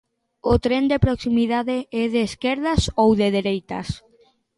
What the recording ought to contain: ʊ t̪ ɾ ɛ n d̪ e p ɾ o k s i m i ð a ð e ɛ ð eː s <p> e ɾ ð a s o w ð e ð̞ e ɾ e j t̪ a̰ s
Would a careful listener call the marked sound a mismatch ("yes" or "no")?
yes